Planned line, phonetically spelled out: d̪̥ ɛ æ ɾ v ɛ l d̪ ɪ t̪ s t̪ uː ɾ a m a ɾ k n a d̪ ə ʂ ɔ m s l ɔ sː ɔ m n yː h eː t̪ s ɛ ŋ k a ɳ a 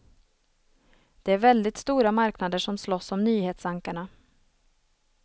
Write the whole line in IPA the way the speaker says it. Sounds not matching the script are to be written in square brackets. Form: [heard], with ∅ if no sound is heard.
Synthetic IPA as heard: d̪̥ ɛ æ ɾ v ɛ l d̪ ɪ t̪ s t̪ uː ɾ a m a ɾ k n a d̪ ə ʂ ɔ m s l ɔ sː ɔ m n yː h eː t̪ s [a] ŋ k a ɳ a